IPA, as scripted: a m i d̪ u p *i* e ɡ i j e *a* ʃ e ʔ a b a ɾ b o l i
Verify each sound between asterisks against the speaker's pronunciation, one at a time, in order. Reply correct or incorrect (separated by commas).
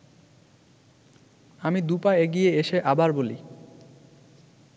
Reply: incorrect, incorrect